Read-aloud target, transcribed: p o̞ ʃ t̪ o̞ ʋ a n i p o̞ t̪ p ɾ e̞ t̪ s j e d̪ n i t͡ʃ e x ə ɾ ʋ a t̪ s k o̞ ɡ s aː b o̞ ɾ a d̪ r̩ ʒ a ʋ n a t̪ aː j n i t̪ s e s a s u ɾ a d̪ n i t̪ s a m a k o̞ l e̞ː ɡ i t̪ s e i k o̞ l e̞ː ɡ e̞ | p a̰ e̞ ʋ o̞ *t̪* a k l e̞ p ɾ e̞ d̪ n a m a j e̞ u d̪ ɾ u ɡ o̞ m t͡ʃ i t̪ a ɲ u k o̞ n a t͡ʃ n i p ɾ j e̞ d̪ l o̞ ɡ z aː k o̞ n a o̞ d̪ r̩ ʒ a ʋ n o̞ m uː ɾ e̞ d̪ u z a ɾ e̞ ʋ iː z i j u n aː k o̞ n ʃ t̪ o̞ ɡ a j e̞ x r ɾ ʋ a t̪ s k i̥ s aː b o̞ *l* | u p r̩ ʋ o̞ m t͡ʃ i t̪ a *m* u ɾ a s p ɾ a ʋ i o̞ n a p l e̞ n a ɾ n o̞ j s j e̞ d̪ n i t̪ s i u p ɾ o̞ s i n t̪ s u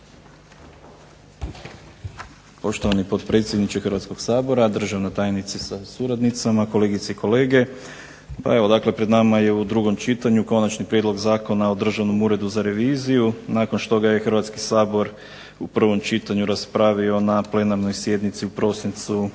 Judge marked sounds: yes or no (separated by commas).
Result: no, no, no